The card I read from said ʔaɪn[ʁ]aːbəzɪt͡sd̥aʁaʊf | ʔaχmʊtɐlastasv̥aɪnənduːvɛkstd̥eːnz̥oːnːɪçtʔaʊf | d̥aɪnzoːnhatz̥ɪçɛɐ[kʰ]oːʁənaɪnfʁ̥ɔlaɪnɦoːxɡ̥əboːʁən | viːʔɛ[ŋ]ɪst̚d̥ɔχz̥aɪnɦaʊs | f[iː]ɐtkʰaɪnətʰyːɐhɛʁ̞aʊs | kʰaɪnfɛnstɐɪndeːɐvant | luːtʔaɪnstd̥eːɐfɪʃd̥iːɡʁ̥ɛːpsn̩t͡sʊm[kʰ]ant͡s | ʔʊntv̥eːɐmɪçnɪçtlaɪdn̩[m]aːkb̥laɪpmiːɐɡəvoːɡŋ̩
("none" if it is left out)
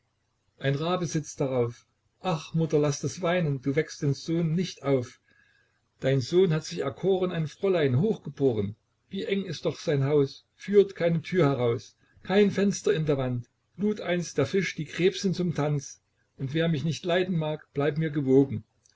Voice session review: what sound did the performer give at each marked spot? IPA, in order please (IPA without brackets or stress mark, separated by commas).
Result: ʁ, kʰ, ŋ, yː, tʰ, m